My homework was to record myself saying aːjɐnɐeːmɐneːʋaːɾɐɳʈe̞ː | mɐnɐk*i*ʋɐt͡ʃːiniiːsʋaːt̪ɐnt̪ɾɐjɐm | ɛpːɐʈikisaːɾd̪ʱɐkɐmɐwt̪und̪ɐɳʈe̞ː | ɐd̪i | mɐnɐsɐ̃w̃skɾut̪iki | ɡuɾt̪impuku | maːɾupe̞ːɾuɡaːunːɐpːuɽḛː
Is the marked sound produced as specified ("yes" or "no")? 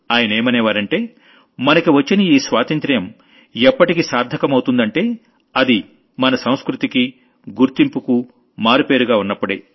yes